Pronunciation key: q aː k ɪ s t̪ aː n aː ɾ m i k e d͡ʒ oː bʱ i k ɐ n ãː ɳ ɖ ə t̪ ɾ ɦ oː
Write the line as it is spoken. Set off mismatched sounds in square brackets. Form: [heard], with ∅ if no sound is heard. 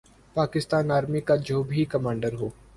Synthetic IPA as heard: [p] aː k ɪ s t̪ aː n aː ɾ m i k [a] d͡ʒ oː bʱ i k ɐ [m] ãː ɳ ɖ ə [∅] ɾ ɦ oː